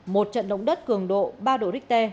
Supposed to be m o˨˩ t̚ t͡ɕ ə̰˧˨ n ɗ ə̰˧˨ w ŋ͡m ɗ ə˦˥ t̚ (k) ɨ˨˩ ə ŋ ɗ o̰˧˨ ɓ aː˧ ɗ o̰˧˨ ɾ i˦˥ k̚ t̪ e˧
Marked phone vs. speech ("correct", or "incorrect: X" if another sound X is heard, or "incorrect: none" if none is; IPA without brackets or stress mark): correct